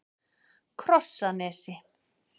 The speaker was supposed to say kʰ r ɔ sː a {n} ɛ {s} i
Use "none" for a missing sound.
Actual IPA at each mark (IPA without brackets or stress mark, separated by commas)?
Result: n, s